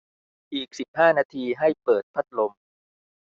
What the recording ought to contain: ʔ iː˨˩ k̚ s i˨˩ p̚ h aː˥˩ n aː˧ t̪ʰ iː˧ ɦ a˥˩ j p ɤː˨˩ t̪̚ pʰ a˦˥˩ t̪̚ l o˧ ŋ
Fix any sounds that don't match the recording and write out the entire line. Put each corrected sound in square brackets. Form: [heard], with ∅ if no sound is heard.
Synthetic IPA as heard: ʔ iː˨˩ k̚ s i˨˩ p̚ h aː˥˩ n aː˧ t̪ʰ iː˧ ɦ a˥˩ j p ɤː˨˩ t̪̚ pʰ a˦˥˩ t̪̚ l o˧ [m]